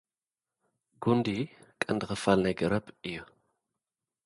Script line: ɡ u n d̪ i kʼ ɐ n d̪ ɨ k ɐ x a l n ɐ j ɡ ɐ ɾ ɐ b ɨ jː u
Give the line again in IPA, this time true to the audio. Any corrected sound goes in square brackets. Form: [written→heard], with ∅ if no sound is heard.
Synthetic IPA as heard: ɡ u n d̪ i kʼ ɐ n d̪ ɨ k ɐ [x→f] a l n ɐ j ɡ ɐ ɾ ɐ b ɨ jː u